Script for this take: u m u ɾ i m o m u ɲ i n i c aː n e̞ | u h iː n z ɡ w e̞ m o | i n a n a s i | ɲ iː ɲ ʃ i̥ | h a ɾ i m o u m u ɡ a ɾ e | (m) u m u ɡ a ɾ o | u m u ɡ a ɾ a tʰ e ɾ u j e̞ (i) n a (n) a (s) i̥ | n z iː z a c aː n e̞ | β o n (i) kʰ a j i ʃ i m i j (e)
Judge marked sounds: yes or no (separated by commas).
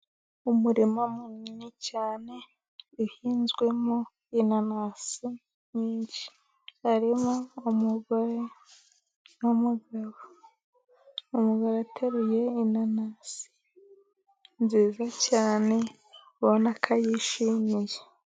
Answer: no, yes, yes, yes, no, yes